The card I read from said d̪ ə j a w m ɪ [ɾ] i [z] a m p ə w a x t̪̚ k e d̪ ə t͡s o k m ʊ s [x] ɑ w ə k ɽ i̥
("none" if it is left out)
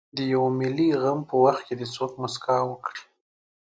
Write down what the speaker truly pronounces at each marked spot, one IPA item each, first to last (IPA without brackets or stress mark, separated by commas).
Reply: l, ɣ, k